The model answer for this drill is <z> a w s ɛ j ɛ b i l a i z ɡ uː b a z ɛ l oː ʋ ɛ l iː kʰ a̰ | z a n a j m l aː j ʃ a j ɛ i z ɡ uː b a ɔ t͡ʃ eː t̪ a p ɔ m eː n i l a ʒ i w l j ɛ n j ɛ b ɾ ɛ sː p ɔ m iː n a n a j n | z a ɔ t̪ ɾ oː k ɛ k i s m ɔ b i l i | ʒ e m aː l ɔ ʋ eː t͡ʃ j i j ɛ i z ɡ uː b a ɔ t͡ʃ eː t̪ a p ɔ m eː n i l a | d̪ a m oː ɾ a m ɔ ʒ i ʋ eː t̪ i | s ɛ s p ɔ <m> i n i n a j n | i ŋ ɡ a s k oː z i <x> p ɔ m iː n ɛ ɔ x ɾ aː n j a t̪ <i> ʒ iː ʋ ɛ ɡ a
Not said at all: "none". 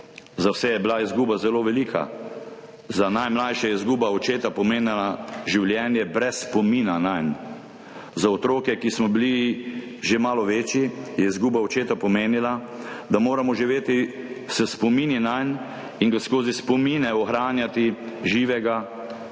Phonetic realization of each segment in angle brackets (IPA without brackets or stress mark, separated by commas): z, m, s, i